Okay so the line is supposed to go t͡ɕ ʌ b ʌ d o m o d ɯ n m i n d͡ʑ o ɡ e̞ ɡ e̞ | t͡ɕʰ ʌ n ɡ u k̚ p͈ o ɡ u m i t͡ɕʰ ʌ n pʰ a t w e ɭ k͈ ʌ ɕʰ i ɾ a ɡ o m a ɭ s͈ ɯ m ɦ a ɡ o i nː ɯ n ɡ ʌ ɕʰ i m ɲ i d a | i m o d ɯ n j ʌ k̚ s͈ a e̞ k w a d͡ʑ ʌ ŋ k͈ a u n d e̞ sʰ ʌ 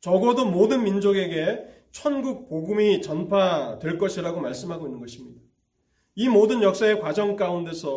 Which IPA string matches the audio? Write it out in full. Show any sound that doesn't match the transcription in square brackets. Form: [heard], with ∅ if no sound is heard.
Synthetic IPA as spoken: t͡ɕ ʌ [ɡ] ʌ d o m o d ɯ n m i n d͡ʑ o ɡ e̞ ɡ e̞ | t͡ɕʰ ʌ n ɡ u k̚ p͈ o ɡ u m i [t͡ɕ] ʌ n pʰ a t w e ɭ k͈ ʌ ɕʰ i ɾ a ɡ o m a ɭ s͈ ɯ m ɦ a ɡ o i nː ɯ n ɡ ʌ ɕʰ i m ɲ i d a | i m o d ɯ n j ʌ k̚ s͈ a e̞ k w a d͡ʑ ʌ ŋ k͈ a u n d e̞ sʰ ʌ